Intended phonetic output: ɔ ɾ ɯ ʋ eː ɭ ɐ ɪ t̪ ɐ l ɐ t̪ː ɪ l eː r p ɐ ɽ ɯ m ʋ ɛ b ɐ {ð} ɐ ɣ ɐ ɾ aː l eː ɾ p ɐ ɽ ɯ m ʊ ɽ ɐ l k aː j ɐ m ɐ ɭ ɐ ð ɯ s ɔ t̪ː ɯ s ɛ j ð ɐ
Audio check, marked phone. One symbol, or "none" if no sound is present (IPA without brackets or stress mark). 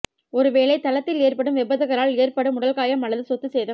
ð